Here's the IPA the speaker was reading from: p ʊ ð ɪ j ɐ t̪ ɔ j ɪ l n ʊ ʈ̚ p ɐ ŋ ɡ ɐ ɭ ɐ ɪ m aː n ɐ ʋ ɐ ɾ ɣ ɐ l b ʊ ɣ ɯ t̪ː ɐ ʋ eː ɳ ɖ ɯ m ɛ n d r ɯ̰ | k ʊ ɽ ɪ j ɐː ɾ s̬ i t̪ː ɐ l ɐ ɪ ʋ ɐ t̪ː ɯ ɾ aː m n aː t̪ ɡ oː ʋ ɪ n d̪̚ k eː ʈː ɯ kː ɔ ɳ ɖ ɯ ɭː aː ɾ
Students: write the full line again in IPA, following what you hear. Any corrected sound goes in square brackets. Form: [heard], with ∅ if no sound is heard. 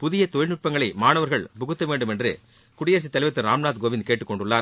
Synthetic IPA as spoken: p ʊ ð ɪ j ɐ t̪ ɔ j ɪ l n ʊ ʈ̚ p ɐ ŋ ɡ ɐ ɭ ɐ ɪ m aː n ɐ ʋ ɐ ɾ ɣ ɐ [ɭ] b ʊ ɣ ɯ t̪ː ɐ ʋ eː ɳ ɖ ɯ m ɛ n d r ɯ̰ | k ʊ ɽ ɪ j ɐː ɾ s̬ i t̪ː ɐ l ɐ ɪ ʋ ɐ t̪ː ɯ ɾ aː m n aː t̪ ɡ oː ʋ ɪ n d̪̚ k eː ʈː ɯ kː ɔ ɳ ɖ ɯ ɭː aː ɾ

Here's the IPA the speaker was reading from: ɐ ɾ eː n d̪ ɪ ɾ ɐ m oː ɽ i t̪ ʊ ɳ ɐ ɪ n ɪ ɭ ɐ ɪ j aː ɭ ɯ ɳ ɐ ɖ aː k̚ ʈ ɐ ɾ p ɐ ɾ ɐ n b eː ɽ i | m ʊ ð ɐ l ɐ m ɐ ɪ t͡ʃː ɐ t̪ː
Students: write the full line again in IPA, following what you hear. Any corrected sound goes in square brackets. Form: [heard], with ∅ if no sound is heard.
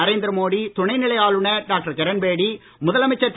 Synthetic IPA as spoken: ɐ ɾ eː n d̪ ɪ ɾ ɐ m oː ɽ i t̪ ʊ ɳ ɐ ɪ n ɪ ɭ ɐ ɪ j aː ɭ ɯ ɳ ɐ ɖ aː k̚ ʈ ɐ ɾ [k] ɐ ɾ ɐ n b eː ɽ i | m ʊ ð ɐ l ɐ m ɐ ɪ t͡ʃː ɐ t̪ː

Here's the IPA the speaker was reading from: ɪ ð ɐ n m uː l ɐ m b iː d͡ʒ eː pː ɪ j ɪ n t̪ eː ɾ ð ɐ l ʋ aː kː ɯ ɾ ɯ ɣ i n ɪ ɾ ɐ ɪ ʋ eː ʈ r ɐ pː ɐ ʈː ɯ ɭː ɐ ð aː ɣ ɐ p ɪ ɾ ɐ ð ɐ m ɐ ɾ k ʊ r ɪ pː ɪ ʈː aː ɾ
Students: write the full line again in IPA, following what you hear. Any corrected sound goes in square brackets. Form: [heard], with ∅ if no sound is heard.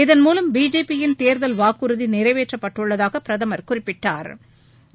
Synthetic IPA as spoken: ɪ ð ɐ n m uː l ɐ m b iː d͡ʒ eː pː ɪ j ɪ n t̪ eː ɾ ð ɐ l ʋ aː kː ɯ ɾ ɯ [ð] i n ɪ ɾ ɐ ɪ ʋ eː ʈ r ɐ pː ɐ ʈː ɯ ɭː ɐ ð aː ɣ ɐ p ɪ ɾ ɐ ð ɐ m ɐ ɾ k ʊ r ɪ pː ɪ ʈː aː ɾ

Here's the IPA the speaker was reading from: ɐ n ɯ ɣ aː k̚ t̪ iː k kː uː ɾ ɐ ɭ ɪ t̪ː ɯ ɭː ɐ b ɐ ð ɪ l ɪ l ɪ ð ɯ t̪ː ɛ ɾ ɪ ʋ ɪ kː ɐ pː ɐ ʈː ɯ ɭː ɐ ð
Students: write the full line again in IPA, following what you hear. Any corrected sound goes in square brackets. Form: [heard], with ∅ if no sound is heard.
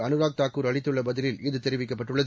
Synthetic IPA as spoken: ɐ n ɯ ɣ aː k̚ t̪ [aː] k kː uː ɾ ɐ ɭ ɪ t̪ː ɯ ɭː ɐ b ɐ ð ɪ l ɪ l ɪ ð ɯ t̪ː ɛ ɾ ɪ ʋ ɪ kː ɐ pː ɐ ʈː ɯ ɭː ɐ ð

